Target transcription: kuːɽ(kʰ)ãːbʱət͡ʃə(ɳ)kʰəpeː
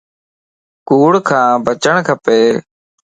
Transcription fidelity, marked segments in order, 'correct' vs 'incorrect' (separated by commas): correct, correct